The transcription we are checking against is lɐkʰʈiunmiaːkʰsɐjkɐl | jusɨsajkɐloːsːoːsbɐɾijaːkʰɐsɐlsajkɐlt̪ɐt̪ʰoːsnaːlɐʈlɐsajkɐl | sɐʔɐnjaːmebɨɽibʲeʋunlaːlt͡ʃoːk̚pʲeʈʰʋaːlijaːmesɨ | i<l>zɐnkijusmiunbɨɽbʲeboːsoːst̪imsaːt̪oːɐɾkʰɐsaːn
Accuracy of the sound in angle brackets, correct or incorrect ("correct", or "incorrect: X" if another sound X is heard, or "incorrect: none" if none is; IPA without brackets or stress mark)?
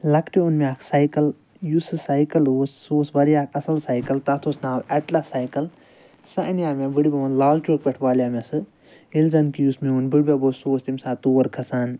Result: correct